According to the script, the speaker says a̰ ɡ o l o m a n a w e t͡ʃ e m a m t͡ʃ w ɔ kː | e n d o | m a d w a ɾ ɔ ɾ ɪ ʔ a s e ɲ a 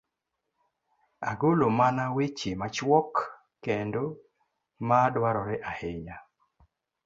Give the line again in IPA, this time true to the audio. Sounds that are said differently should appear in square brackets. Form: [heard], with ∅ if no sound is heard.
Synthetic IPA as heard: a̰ ɡ o l o m a n a w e t͡ʃ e m a [∅] t͡ʃ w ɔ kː | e n d o | m a d w a ɾ ɔ ɾ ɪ ʔ a [h] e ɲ a